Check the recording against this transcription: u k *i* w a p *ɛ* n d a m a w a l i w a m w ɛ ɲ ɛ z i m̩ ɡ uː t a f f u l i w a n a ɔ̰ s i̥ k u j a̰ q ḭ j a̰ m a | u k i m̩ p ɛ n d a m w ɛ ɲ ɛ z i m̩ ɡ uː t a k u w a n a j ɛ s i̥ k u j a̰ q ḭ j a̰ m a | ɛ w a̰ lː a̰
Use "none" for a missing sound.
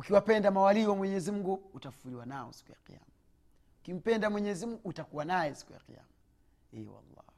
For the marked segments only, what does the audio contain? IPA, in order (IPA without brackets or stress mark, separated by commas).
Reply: i, ɛ